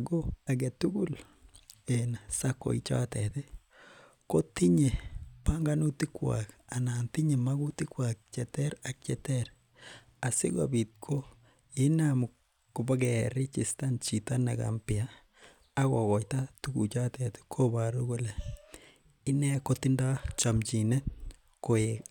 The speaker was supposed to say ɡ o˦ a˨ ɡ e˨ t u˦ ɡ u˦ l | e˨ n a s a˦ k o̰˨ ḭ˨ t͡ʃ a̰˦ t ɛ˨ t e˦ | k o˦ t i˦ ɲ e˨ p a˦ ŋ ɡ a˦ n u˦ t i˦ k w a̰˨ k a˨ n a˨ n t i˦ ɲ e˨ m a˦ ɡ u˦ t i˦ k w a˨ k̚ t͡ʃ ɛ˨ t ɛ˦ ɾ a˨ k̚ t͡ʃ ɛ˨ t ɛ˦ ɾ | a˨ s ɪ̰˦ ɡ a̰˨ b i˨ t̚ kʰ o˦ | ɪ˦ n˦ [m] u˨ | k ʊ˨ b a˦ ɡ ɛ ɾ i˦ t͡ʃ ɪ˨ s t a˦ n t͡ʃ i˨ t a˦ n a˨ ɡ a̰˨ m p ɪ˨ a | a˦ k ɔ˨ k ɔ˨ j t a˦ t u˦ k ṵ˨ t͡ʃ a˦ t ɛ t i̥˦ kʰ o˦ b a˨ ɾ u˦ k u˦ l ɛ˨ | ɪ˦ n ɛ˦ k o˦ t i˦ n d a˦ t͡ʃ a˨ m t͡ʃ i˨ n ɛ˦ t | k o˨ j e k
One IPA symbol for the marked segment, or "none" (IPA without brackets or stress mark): m